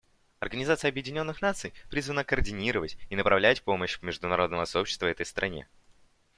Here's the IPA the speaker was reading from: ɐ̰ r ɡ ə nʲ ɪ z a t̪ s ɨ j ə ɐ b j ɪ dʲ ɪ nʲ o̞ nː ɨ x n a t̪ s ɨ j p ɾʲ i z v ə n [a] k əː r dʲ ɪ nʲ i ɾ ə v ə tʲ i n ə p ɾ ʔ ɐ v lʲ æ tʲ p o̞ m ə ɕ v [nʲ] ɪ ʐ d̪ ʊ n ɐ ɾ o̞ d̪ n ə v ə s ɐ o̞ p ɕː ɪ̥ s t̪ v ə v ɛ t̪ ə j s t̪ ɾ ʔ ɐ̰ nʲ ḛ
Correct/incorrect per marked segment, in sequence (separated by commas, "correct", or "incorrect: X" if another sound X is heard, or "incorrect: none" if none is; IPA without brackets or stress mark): incorrect: ə, incorrect: mʲ